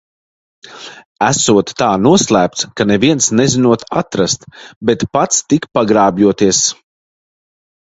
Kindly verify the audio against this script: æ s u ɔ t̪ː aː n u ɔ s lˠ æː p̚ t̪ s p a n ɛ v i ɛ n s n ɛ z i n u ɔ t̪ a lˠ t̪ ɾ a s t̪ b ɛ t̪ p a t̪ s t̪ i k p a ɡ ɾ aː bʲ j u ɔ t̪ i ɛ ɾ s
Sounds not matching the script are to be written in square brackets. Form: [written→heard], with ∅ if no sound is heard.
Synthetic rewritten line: æ s u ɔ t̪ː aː n u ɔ s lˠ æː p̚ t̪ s [p→k] a n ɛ v i ɛ n s n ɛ z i n u ɔ t̪ a [lˠ→∅] t̪ ɾ a s t̪ b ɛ t̪ p a t̪ s t̪ i k p a ɡ ɾ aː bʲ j u ɔ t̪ i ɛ [ɾ→∅] s